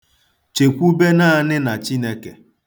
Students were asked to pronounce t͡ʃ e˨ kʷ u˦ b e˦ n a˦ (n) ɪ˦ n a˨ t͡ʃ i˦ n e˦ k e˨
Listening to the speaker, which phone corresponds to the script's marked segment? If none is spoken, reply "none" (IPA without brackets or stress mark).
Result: n